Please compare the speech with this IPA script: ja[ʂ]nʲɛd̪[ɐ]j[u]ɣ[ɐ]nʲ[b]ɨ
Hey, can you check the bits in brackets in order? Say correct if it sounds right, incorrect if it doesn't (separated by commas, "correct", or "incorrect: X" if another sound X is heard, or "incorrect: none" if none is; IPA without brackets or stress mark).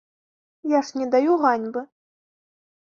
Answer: correct, incorrect: a, correct, incorrect: a, correct